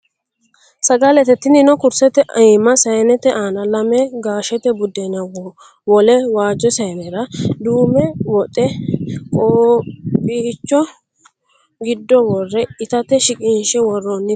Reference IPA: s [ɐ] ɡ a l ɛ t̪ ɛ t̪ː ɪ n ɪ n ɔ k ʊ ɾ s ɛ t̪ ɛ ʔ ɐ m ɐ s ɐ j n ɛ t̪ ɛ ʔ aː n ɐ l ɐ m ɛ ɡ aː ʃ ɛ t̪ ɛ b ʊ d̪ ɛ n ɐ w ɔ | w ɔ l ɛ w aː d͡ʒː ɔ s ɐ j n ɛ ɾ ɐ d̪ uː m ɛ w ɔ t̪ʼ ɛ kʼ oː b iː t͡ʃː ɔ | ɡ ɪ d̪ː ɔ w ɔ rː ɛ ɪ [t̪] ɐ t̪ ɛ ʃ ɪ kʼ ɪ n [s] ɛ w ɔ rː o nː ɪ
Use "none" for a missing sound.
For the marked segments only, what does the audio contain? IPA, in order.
ɐ, t̪, ʃ

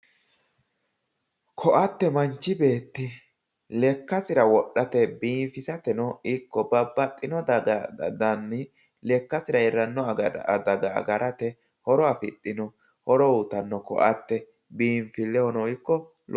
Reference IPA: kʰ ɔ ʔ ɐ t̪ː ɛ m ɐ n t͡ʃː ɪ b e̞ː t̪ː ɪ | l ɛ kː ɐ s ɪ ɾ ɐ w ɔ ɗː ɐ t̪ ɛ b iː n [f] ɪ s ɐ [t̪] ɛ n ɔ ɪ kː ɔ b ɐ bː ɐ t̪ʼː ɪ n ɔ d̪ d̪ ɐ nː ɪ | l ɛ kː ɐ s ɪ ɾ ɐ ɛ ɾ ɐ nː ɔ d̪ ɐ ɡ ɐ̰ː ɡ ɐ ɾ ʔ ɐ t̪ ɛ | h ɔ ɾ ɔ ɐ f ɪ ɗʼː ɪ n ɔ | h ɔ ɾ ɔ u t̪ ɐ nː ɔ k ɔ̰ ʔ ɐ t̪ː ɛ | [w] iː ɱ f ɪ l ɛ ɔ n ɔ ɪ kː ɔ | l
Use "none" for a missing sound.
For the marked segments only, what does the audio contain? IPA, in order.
f, t̪, b

